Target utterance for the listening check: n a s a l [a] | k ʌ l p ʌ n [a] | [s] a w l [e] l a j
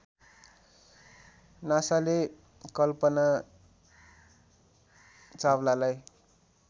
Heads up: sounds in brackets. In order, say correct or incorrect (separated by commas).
incorrect, correct, incorrect, incorrect